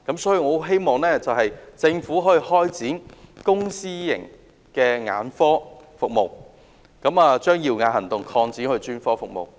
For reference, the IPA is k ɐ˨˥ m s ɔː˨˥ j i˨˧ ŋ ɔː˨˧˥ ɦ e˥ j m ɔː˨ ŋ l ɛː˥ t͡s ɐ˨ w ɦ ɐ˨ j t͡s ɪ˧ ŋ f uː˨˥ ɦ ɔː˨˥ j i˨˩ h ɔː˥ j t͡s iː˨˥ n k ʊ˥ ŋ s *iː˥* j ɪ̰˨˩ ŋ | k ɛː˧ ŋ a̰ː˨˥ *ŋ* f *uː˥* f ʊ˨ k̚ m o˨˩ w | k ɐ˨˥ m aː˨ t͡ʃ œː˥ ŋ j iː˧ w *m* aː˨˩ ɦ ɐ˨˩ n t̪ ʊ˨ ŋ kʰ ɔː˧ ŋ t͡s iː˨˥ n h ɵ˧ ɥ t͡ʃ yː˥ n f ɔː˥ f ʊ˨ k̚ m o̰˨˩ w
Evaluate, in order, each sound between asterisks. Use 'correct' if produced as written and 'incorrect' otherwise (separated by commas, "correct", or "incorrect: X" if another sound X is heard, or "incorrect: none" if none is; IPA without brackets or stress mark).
correct, incorrect: n, incorrect: ɔː˥, incorrect: ŋ